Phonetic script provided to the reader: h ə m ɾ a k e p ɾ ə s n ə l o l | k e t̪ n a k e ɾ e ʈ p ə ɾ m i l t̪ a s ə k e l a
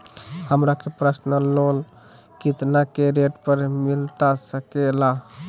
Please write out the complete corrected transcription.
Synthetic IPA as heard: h ə m ɾ a k e p ɾ ə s n ə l o l | k i t̪ n a k e ɾ e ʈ p ə ɾ m i l t̪ a s ə k e l a